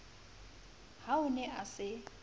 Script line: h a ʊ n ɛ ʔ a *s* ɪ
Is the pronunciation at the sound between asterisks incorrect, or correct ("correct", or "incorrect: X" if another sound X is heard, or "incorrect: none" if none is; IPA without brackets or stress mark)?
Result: correct